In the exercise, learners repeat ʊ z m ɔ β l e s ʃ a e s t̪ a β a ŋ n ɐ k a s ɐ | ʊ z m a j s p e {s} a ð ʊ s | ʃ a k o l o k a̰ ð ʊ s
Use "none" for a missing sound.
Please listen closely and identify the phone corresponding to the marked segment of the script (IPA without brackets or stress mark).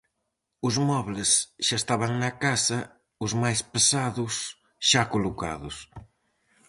s